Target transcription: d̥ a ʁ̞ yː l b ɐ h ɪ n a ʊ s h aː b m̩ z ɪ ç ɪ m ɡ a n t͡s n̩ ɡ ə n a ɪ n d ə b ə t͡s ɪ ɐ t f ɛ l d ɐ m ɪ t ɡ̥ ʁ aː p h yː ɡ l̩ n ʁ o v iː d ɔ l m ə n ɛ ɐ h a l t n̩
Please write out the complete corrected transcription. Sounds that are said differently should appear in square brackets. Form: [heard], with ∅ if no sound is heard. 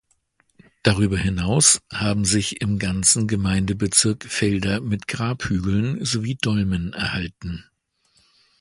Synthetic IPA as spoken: d̥ a ʁ̞ yː [∅] b ɐ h ɪ n a ʊ s h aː b m̩ z ɪ ç ɪ m ɡ a n t͡s n̩ ɡ ə [m] a ɪ n d ə b ə t͡s ɪ ɐ [k] f ɛ l d ɐ m ɪ t ɡ̥ ʁ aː p h yː ɡ l̩ n [z] o v iː d ɔ l m ə n ɛ ɐ h a l t n̩